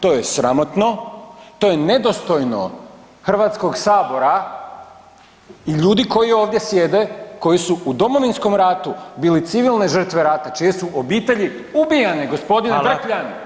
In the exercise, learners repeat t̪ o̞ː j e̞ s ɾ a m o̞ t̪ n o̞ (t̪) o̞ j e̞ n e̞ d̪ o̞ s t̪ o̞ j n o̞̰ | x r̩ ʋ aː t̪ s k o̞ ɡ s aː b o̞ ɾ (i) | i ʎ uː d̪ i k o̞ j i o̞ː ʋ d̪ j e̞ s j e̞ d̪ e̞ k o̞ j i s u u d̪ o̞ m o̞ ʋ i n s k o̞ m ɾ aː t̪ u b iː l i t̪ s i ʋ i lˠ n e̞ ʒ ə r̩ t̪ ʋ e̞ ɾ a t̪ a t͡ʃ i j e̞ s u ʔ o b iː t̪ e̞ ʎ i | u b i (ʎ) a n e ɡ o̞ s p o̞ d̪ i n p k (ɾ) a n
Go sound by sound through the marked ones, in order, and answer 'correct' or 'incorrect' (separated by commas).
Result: correct, incorrect, incorrect, incorrect